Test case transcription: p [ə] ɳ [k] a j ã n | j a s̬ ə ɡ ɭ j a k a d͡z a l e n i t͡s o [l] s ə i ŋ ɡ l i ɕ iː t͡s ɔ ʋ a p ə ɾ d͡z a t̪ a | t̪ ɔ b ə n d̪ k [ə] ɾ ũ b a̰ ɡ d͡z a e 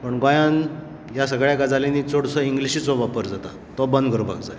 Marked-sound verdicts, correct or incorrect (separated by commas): correct, incorrect, incorrect, correct